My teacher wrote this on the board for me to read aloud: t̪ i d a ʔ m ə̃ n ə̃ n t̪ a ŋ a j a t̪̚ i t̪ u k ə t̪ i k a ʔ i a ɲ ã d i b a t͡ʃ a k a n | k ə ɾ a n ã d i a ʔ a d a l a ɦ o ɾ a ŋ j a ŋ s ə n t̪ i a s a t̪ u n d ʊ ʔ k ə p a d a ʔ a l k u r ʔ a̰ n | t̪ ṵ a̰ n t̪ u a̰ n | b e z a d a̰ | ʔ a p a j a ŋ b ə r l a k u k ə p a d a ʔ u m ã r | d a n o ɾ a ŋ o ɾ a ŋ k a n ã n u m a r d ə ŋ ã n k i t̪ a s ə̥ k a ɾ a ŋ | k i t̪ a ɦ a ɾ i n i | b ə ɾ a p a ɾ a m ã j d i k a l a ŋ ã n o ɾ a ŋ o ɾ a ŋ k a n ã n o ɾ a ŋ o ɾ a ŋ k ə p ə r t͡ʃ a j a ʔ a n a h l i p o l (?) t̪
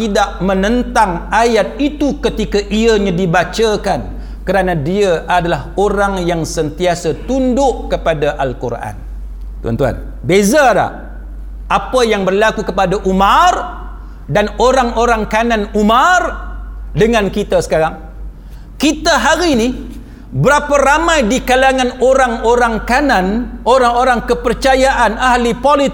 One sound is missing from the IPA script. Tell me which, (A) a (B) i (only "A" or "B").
B